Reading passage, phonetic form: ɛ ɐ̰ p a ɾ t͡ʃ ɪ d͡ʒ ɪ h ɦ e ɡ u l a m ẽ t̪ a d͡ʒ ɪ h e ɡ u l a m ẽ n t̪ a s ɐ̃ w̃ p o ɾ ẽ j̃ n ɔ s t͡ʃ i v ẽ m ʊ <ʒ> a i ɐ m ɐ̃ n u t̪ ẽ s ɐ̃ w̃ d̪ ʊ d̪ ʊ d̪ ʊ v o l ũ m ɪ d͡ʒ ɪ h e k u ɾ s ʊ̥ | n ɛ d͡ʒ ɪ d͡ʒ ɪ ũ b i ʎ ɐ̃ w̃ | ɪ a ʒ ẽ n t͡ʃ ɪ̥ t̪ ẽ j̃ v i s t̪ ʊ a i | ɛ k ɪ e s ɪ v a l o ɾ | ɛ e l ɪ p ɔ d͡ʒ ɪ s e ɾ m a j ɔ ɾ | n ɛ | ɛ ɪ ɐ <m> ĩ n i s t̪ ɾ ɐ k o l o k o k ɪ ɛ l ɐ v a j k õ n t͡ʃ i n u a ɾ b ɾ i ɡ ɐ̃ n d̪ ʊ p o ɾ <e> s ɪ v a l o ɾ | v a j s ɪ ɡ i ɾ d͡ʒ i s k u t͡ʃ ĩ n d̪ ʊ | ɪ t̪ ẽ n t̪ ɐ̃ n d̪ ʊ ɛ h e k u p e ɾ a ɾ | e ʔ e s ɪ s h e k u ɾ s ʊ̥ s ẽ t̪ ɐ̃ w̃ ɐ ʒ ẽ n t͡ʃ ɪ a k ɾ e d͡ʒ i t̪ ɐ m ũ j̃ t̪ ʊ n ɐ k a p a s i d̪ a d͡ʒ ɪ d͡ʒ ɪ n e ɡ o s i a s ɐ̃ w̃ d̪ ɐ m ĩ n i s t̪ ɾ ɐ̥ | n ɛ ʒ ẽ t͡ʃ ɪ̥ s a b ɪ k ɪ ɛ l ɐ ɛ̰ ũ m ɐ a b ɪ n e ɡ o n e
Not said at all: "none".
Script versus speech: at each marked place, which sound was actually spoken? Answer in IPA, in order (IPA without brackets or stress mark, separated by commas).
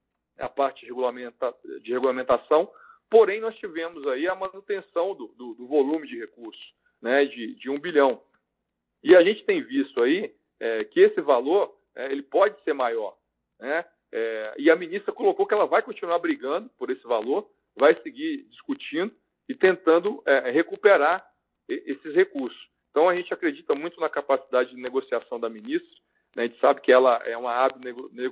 z, m, e